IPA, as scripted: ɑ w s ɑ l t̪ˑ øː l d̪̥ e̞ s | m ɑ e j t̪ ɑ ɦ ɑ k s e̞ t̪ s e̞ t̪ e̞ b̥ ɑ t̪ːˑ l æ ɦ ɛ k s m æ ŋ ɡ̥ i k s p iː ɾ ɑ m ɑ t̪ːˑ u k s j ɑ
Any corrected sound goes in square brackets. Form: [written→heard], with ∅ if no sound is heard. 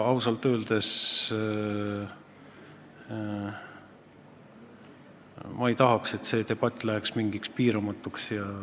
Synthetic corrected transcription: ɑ w s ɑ l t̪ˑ øː l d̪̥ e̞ s | m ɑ e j t̪ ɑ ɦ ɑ k s e̞ t̪ s e̞ t̪ e̞ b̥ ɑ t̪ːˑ l æ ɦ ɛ k s m [æ→i] ŋ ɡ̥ i k s p iː ɾ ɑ m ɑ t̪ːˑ u k s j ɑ